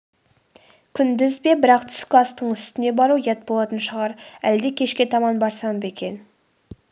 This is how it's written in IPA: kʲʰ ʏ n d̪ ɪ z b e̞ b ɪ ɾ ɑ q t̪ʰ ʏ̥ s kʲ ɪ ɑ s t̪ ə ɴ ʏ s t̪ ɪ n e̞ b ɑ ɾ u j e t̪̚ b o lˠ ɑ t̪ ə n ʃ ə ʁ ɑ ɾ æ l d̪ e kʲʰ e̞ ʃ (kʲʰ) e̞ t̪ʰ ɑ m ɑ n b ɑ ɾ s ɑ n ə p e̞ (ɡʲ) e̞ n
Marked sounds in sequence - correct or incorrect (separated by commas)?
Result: incorrect, incorrect